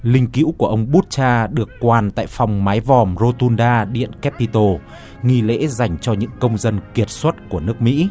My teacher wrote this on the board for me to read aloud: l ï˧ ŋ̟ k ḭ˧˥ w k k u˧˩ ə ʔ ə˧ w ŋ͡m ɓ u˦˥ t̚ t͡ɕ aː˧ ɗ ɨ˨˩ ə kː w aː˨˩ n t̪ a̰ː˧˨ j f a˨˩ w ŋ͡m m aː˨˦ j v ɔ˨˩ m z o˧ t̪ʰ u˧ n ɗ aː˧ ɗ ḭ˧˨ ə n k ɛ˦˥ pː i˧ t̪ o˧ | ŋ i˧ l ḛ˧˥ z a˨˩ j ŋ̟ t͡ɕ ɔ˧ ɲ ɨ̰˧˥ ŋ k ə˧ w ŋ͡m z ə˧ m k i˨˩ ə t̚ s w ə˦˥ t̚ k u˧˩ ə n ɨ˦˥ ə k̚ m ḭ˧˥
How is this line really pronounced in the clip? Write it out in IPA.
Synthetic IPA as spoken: l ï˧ ŋ̟ k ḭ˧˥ w k k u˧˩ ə ʔ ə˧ w ŋ͡m ɓ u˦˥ t̚ t͡ɕ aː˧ ɗ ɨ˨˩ ə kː w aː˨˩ n t̪ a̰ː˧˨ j f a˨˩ w ŋ͡m m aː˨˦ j v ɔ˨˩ m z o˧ t̪ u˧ n ɗ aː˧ ɗ ḭ˧˨ ə n k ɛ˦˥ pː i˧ t̪ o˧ | ŋ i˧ l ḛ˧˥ z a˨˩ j ŋ̟ t͡ɕ ɔ˧ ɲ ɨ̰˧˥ ŋ k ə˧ w ŋ͡m z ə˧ n k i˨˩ ə t̚ s w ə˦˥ t̚ k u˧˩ ə n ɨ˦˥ ə k̚ m ḭ˧˥